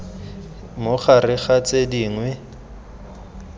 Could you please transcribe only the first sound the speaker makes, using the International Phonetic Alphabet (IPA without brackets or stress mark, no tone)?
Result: m